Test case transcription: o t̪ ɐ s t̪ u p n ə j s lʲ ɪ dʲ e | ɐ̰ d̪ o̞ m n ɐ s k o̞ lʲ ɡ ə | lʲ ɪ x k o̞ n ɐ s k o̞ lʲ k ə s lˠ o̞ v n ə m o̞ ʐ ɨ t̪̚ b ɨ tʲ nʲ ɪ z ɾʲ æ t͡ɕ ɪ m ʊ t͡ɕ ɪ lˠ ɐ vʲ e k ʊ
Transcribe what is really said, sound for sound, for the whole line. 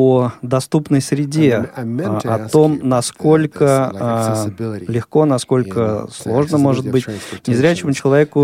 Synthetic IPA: o d̪ ɐ s t̪ u p n ə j s ɾʲ ɪ dʲ e | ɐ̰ t̪ o̞ m n ɐ s k o̞ lʲ k ə | lʲ ɪ x k o̞ n ɐ s k o̞ lʲ k ə s lˠ o̞ ʐ n ə m o̞ ʐ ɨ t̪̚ b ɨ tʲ nʲ ɪ z ɾʲ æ t͡ɕ ɪ m ʊ t͡ɕ ɪ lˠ ɐ vʲ e k ʊ